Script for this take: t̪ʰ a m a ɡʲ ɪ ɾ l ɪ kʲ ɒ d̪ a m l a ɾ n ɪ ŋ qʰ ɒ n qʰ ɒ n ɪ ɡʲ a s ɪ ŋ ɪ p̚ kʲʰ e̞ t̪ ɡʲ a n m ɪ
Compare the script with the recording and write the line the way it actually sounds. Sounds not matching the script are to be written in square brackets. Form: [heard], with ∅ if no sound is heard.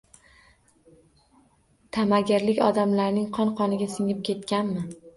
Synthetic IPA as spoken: t̪ʰ a m a ɡʲ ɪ ɾ l ɪ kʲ ɒ d̪ a m l a ɾ n ɪ ŋ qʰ ɒ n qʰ ɒ n ɪ ɡʲ a s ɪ ŋ ɪ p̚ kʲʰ e̞ t̪ [kʲ] a n m ɪ